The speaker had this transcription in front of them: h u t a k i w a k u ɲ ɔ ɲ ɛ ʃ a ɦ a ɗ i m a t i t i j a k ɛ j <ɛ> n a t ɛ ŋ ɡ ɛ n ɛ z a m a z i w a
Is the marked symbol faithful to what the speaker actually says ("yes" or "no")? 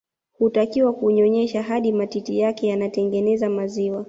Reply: no